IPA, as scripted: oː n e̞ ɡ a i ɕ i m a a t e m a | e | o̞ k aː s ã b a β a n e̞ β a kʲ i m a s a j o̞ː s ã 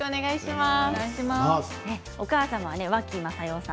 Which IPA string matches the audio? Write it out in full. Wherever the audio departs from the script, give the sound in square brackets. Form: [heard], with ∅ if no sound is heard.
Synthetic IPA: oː n e̞ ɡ a i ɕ i m a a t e m a | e | o̞ k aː s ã [m] a β a n e̞ β a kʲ i m a s a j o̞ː s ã